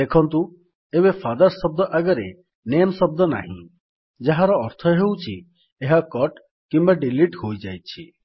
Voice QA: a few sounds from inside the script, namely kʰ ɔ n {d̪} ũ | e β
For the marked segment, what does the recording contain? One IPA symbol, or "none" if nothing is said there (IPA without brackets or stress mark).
t̪